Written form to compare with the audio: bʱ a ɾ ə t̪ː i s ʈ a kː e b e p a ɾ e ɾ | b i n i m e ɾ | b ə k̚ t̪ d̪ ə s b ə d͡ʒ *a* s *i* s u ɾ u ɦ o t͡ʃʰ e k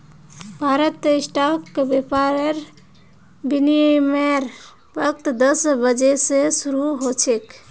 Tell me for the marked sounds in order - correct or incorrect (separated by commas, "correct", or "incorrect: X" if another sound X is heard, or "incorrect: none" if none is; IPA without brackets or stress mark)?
incorrect: e, incorrect: e